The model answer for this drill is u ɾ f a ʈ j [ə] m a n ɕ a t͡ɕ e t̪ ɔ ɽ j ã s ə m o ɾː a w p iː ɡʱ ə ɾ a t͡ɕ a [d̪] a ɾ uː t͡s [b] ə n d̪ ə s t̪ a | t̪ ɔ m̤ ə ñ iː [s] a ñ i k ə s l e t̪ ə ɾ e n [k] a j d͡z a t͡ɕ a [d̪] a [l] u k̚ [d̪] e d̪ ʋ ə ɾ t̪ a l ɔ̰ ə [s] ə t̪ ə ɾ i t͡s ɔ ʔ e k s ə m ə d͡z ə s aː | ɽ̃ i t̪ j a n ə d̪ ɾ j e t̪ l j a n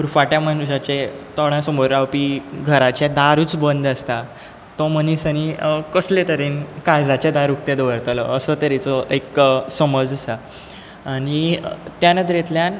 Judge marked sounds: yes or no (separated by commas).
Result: no, yes, yes, yes, yes, yes, no, no, yes